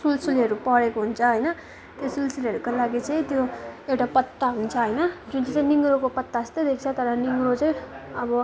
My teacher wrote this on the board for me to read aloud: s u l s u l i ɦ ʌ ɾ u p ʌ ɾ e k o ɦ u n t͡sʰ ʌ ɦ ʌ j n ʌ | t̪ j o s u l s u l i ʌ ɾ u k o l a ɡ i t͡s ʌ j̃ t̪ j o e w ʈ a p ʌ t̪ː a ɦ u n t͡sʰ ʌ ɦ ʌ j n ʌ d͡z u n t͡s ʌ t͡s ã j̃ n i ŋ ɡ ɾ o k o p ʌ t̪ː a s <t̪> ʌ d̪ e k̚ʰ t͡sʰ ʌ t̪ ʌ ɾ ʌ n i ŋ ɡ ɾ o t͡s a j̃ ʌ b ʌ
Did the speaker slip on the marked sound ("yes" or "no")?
no